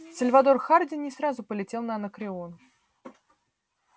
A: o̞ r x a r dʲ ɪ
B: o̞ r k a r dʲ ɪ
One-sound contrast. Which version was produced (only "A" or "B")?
A